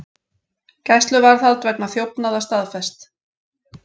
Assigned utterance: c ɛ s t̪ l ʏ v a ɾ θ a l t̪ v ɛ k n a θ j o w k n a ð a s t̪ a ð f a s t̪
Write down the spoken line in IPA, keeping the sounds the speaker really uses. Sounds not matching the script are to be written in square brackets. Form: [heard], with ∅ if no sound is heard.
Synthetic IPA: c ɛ s t̪ l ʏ v a ɾ θ a l t̪ v ɛ k n a θ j o w [p] n a ð a s t̪ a ð f [ɛ] s t̪

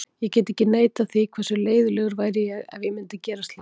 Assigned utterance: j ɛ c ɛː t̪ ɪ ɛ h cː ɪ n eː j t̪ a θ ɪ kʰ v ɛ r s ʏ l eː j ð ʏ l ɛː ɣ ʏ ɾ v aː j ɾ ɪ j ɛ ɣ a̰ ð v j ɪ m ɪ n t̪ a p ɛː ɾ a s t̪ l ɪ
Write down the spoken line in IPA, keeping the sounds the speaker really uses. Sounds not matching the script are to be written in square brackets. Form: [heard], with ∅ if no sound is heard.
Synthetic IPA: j ɛ c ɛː t̪ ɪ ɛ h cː ɪ n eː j t̪ a θ [i] kʰ v ɛ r s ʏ l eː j ð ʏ l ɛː ɣ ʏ ɾ v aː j ɾ ɪ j ɛ ɣ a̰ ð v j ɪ m ɪ n t̪ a [c] ɛː ɾ a s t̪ l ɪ

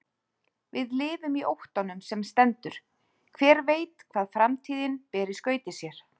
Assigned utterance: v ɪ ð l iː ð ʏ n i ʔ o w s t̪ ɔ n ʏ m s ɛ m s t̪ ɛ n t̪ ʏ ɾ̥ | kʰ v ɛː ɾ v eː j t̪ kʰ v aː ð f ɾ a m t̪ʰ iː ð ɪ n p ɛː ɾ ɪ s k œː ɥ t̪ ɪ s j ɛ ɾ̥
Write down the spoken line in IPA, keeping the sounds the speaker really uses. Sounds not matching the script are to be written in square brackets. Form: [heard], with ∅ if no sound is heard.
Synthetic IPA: v ɪ ð l [ɪː] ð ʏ [m] i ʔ o w [h] t̪ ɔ n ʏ m s ɛ m s t̪ ɛ n t̪ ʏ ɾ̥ | kʰ v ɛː ɾ v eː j t̪ kʰ v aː ð f ɾ a m t̪ʰ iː ð ɪ n p ɛː ɾ ɪ s k œː ɥ t̪ ɪ s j ɛ ɾ̥

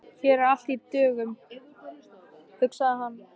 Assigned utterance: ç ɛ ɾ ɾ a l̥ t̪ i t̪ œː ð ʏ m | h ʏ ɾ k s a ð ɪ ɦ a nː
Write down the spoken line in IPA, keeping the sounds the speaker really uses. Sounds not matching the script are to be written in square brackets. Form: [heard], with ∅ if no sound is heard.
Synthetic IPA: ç ɛ ɾ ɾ a l̥ t̪ i t̪ œː [ɣ] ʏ m | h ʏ [∅] k s a ð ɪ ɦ a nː

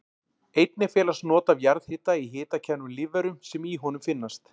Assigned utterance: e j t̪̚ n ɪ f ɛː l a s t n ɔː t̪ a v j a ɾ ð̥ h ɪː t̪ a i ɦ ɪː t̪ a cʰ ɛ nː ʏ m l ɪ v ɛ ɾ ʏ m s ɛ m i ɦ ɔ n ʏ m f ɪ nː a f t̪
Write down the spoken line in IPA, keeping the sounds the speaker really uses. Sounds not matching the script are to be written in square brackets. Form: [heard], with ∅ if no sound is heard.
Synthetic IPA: e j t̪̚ n ɪ f ɛː l a s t n ɔː t̪ a v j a ɾ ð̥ h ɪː t̪ a i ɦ ɪː t̪ a cʰ ɛ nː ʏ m l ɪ v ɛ ɾ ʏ m s ɛ m i ɦ ɔ n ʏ m f ɪ nː a [s] t̪

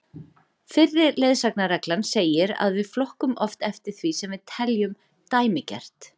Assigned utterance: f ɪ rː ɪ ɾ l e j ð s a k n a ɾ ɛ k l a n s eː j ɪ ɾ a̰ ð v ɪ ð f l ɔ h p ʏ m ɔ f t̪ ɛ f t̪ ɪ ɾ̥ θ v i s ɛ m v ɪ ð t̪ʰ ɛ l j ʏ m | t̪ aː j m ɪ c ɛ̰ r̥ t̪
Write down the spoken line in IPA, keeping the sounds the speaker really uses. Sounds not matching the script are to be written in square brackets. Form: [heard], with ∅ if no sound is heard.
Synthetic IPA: f ɪ rː ɪ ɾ l e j ð s a k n a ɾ ɛ k l a n s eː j ɪ ɾ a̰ ð v ɪ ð f l ɔ h [k] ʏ m ɔ f t̪ ɛ f t̪ ɪ ɾ̥ θ v i s ɛ m v ɪ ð t̪ʰ ɛ l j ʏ m | t̪ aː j m ɪ c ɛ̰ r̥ t̪

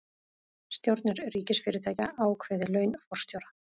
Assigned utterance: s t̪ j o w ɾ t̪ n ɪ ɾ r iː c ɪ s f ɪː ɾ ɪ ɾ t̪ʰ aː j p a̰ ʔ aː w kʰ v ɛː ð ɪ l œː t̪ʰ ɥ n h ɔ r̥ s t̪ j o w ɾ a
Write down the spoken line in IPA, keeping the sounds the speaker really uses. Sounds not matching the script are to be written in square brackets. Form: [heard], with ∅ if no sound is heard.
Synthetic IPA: s t̪ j o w ɾ t̪ n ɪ ɾ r iː c ɪ s f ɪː ɾ ɪ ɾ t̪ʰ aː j [c] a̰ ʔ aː w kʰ v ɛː ð ɪ l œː [∅] ɥ n [f] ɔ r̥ s t̪ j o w ɾ a

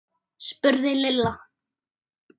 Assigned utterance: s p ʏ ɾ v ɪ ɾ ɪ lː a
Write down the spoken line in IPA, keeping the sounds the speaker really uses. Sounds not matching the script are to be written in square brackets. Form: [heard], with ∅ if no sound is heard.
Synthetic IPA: s p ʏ ɾ [ð] ɪ [l] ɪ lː a

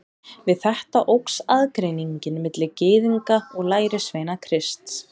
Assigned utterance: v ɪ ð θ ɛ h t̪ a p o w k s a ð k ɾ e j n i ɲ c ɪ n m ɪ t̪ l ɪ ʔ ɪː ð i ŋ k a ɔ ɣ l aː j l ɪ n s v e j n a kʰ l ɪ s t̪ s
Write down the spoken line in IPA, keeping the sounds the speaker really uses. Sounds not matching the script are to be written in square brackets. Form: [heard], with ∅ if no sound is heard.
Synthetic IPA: v ɪ ð θ ɛ h t̪ a [ʔ] o w k s a ð k ɾ e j n i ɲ c ɪ n m ɪ t̪ l ɪ [c] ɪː ð i ŋ k a ɔ ɣ l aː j [ɾ] ɪ [∅] s v e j n a kʰ [ɾ] ɪ s t̪ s

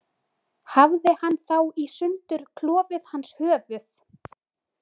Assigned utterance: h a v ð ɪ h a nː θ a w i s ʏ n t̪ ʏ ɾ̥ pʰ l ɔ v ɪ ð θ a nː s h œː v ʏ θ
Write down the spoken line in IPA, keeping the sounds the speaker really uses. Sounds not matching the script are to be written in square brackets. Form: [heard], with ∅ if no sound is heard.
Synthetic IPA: h a v ð ɪ h a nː θ a w i s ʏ n t̪ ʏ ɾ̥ [kʰ] l [ɔː] v ɪ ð [h] a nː s h œː v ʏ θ

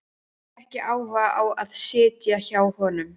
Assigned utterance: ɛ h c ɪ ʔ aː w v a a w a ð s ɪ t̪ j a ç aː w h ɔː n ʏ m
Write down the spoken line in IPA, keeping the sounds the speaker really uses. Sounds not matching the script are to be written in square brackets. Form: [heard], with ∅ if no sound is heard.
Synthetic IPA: ɛ h c ɪ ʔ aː w v a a w a ð s [ɪː] t̪ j a ç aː w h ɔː n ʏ m

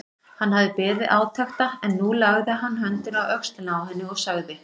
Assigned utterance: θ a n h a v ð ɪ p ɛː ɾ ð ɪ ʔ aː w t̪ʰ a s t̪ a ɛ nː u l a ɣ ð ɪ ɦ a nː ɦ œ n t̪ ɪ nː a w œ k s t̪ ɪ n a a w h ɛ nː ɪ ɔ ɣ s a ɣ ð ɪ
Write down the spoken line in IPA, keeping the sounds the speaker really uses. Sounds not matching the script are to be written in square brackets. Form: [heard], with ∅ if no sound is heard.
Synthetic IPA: [h] a n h a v ð ɪ p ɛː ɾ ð ɪ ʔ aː w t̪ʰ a [x] t̪ a ɛ nː u l a ɣ ð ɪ ɦ a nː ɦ œ n t̪ ɪ [n] a w œ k s t̪ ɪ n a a w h ɛ nː ɪ ɔ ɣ s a ɣ ð ɪ

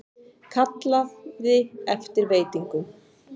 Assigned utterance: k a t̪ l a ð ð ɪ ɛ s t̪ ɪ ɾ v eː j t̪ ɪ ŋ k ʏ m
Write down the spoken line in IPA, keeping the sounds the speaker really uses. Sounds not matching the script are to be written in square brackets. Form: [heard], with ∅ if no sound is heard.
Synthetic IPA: [kʰ] a t̪ l a ð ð ɪ ɛ [f] t̪ ɪ ɾ v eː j t̪ [i] ŋ k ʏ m

